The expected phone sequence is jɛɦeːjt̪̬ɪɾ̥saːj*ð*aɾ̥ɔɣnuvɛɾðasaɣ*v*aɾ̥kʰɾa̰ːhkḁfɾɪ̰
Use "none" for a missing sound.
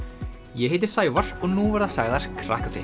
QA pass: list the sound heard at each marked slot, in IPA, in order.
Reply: v, ð

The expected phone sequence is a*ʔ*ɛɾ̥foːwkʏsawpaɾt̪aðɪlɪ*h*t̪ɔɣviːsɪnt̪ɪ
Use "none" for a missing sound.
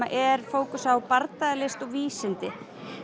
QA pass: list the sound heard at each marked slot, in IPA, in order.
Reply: ʔ, s

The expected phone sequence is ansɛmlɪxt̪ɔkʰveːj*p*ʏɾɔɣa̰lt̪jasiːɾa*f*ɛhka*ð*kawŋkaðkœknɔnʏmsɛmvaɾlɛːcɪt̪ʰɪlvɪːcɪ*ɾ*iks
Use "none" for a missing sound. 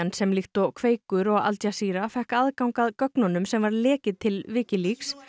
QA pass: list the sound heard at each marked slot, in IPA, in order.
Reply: k, f, ð, l

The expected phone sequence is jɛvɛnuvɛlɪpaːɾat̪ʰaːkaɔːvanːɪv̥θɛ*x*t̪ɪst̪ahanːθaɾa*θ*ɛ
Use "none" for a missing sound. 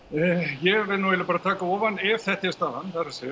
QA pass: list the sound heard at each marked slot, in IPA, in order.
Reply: h, s

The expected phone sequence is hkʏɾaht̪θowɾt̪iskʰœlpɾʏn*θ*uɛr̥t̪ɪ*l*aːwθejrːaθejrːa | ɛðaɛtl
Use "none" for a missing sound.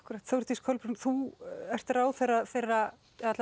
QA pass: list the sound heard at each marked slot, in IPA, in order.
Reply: θ, ɾ

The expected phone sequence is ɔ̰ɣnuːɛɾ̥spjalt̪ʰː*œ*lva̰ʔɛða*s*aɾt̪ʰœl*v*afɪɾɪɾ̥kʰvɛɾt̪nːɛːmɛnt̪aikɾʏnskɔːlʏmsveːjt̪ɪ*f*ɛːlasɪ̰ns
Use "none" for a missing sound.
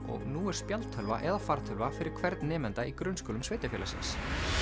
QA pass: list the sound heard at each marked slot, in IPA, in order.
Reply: œ, f, v, f

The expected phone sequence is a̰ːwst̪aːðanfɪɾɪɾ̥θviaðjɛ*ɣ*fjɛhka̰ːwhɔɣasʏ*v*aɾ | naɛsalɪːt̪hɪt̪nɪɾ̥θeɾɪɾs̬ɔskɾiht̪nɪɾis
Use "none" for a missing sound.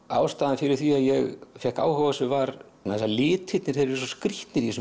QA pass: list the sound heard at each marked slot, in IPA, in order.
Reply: ɣ, v

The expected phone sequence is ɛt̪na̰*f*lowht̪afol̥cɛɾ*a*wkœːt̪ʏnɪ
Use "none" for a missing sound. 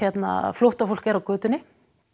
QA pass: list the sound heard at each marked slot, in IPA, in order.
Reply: f, a

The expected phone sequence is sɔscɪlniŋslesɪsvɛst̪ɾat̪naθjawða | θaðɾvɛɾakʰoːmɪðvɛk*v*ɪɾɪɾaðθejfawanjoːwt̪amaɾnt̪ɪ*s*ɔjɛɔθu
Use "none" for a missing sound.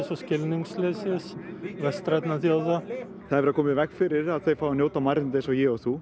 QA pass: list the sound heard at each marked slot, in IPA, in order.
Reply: f, s

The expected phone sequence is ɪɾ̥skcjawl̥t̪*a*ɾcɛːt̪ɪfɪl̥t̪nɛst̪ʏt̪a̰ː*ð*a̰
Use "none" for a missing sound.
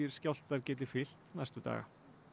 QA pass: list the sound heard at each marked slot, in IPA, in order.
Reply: a, ɣ

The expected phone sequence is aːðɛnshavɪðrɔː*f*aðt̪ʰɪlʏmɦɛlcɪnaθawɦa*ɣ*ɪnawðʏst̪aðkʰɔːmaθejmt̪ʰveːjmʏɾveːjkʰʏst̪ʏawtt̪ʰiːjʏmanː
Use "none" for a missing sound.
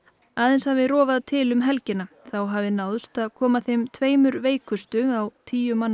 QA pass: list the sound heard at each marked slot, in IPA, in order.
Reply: v, v

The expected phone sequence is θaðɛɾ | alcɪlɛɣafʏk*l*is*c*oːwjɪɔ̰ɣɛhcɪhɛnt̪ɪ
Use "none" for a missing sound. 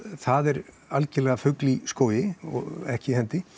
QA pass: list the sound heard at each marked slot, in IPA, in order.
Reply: l, k

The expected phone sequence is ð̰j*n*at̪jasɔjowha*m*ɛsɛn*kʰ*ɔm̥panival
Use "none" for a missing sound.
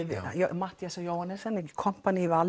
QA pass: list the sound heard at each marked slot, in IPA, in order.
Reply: m, n, kʰ

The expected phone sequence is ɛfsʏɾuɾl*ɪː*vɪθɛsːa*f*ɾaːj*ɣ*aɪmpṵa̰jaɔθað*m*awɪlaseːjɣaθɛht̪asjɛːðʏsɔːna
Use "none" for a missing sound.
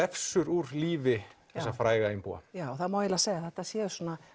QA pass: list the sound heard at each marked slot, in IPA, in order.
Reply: iː, f, ɣ, m

